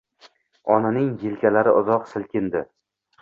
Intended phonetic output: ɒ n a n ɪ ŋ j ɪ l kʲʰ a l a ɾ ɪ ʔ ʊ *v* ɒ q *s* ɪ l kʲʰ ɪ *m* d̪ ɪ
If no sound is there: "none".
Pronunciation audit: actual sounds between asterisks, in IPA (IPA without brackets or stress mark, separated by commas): z, s, n